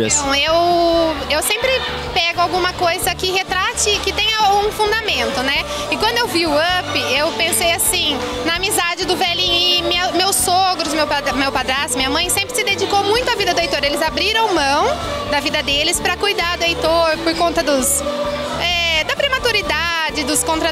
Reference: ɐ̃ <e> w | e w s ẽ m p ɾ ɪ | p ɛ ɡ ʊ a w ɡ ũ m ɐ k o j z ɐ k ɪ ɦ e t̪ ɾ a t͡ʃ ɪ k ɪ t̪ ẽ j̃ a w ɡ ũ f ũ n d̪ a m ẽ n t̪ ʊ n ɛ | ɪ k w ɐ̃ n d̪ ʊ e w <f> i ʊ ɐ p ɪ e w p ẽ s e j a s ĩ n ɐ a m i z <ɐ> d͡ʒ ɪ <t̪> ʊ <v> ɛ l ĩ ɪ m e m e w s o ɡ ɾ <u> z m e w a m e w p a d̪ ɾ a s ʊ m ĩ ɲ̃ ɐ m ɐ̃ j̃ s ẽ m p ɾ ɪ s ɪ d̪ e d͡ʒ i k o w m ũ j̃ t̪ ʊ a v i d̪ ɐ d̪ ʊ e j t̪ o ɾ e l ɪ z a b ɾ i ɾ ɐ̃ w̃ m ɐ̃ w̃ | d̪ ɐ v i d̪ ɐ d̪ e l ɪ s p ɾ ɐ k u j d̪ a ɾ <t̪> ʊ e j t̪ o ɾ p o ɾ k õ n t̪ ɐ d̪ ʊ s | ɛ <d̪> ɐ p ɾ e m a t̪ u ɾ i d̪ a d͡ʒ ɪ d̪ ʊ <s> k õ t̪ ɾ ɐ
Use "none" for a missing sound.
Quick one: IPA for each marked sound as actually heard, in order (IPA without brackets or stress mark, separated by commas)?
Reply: e, v, a, d̪, v, ʊ, d̪, d̪, s